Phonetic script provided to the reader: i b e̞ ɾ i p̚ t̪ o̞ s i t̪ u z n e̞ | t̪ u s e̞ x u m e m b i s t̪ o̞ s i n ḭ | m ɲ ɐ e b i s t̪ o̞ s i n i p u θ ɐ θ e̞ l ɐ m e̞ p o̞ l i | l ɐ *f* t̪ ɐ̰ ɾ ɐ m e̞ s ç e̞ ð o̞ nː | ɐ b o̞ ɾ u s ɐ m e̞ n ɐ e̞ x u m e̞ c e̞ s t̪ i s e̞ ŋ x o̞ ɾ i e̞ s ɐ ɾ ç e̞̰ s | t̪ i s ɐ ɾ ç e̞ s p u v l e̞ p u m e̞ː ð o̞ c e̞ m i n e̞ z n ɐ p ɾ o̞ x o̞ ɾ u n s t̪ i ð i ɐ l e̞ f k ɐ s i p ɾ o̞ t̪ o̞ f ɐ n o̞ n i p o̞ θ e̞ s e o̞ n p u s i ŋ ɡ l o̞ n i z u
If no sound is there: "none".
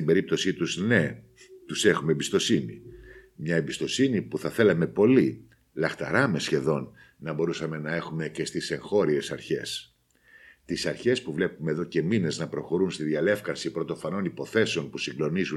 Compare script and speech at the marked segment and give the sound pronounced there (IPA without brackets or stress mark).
x